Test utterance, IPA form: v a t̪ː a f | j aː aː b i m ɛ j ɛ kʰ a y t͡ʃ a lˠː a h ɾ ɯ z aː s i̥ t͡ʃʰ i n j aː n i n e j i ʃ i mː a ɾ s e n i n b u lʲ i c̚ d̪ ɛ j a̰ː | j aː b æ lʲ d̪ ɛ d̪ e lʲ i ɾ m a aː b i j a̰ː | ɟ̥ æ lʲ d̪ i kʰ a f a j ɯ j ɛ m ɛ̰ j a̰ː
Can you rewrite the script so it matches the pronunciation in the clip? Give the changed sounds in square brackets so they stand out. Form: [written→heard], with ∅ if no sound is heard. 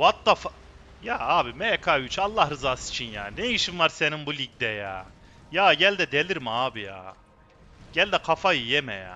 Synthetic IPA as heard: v a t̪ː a f | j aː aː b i m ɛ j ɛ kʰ a y t͡ʃ a lˠː a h ɾ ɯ z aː s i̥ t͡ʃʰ i n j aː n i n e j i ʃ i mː a ɾ s e n i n b u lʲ i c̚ d̪ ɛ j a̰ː | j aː [b→ɟ] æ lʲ d̪ ɛ d̪ e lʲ i ɾ m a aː b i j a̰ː | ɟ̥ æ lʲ d̪ [i→ɛ] kʰ a f a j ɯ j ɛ m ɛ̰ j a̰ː